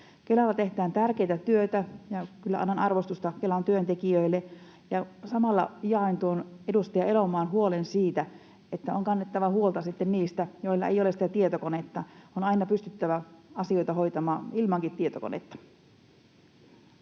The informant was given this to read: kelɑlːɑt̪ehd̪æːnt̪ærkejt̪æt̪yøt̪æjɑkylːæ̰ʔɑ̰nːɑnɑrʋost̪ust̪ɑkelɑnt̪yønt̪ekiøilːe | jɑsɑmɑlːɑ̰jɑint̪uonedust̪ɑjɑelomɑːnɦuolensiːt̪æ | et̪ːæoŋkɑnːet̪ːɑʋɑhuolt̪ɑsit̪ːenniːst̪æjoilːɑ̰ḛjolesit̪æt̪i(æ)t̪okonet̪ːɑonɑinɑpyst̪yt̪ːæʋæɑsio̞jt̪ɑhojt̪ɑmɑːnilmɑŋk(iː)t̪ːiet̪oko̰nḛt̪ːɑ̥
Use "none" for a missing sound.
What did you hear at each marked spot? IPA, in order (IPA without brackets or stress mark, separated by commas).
e, i